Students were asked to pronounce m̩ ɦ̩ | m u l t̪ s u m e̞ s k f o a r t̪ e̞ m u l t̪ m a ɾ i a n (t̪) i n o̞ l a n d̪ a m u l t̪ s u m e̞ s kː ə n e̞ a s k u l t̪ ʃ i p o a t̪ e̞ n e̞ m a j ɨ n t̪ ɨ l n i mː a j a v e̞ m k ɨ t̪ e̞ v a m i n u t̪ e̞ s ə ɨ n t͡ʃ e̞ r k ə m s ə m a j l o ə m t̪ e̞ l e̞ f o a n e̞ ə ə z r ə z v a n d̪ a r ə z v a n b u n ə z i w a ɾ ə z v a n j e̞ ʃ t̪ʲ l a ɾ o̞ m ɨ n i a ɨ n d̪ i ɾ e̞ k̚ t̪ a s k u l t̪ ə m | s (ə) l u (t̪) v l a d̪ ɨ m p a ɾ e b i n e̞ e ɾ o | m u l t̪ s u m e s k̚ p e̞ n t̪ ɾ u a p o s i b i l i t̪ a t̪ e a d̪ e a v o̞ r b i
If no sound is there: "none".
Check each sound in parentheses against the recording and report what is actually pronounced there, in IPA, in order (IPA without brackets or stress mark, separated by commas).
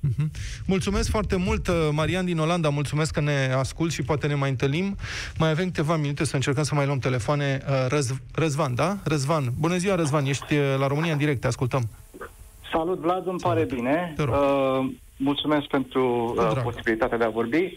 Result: d̪, a, t̪